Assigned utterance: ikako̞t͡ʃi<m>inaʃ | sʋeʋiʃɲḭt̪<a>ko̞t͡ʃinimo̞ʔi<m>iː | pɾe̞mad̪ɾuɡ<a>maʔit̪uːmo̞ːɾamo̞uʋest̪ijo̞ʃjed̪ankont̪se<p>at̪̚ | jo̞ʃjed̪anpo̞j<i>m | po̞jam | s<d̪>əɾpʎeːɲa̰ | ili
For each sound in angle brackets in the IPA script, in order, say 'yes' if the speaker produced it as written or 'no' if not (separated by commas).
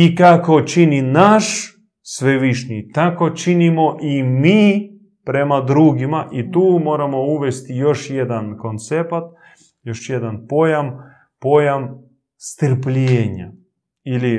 no, yes, yes, no, yes, no, no